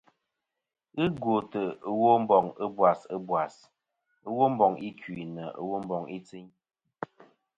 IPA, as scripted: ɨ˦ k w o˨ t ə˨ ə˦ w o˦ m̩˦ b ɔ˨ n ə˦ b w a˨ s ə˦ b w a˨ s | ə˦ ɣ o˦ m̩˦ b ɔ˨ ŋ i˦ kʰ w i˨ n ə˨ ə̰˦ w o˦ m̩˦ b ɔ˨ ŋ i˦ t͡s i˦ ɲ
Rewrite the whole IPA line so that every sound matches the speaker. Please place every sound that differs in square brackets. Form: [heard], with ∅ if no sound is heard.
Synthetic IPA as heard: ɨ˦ [ɡ] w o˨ t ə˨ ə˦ w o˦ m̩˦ b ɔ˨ [ŋ] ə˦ b w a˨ s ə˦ b w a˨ s | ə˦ [w] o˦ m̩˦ b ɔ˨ ŋ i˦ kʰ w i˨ n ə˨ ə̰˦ w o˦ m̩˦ b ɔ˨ ŋ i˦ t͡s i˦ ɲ